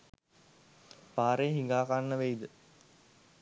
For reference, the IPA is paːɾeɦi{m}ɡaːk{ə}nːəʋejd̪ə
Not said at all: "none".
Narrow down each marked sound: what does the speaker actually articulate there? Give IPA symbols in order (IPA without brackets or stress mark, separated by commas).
ŋ, a